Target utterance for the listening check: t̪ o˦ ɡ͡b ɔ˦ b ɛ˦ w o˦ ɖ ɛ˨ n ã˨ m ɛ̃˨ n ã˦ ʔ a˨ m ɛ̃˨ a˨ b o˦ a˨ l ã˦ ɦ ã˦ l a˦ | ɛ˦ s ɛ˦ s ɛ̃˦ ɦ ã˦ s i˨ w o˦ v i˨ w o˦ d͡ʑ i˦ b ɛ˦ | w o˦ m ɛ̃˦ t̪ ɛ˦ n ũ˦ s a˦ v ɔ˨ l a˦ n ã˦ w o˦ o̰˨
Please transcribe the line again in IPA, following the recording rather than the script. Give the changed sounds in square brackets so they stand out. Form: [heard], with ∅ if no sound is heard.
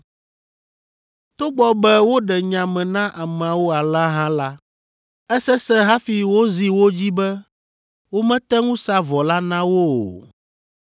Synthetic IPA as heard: t̪ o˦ ɡ͡b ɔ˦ b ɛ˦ w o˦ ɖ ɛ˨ [ɲ] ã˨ m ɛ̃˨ n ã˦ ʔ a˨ m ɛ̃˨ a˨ [w] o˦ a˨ l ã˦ ɦ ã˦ l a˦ | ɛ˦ s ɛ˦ s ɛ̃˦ ɦ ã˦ [f] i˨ w o˦ [z] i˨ w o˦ d͡ʑ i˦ b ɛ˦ | w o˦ m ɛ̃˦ t̪ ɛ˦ [ŋ] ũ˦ s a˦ v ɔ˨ l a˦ n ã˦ w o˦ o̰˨